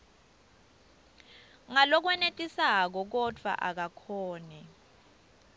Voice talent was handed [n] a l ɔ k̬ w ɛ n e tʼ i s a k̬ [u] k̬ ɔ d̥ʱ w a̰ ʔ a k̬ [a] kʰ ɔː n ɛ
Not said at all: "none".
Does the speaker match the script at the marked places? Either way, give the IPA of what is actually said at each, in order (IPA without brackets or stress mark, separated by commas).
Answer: ŋ, ɔ, a